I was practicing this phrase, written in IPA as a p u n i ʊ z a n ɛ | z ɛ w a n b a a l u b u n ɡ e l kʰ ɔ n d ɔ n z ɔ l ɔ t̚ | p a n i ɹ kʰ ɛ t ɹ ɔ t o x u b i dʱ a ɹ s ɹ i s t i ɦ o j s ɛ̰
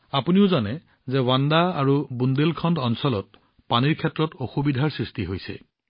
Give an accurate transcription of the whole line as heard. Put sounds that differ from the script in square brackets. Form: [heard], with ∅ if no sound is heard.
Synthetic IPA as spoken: a p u n i ʊ z a n ɛ | z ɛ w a n [d] a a [ɹ] u b u n [d] e l kʰ ɔ n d ɔ n [s] ɔ l ɔ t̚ | p a n i ɹ kʰ ɛ t ɹ ɔ t o x u b i dʱ a ɹ s ɹ i s t i ɦ o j s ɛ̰